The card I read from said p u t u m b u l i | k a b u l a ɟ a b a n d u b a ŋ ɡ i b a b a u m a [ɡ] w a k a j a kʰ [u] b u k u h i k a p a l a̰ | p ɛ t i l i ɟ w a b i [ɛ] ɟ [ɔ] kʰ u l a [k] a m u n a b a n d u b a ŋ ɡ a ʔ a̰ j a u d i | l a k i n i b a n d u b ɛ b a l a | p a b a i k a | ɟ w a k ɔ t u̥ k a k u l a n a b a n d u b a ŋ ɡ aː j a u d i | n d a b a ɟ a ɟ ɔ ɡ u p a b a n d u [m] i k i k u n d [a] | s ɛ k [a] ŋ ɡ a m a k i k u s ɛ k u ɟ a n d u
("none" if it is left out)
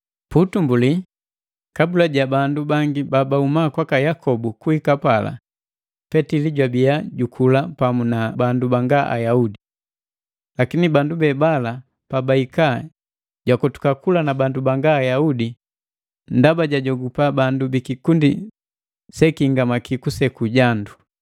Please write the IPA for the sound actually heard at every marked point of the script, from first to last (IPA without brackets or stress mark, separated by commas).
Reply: k, ɔ, a, u, p, b, i, i